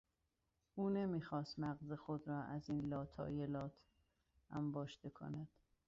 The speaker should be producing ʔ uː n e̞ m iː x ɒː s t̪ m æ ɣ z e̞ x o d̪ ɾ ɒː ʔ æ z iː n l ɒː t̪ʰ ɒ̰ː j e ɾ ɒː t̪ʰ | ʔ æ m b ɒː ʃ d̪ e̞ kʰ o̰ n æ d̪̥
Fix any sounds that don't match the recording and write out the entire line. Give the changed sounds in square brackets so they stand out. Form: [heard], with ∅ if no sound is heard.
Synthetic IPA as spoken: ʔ uː n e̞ m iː x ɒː s t̪ m æ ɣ z e̞ x o d̪ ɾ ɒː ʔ æ z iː n l ɒː t̪ʰ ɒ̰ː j e [l] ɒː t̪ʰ | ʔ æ m b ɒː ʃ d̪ e̞ kʰ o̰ n æ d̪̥